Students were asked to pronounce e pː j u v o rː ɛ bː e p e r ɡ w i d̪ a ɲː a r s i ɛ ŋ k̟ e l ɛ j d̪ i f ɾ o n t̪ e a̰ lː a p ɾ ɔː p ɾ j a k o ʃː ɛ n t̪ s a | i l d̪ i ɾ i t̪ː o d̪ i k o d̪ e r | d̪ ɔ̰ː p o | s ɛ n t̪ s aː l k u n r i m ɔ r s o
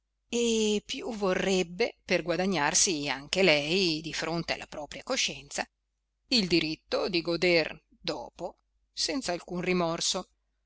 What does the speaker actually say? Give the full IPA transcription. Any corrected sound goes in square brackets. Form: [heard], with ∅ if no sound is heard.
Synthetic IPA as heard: e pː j u v o rː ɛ bː e p e r ɡ w [a] d̪ a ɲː a r s i [a] ŋ k̟ e l ɛ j d̪ i f ɾ o n t̪ e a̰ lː a p ɾ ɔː p ɾ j a k o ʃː ɛ n t̪ s a | i l d̪ i ɾ i t̪ː o d̪ i [ɡ] o d̪ e r | d̪ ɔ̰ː p o | s ɛ n t̪ s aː l k u n r i m ɔ r s o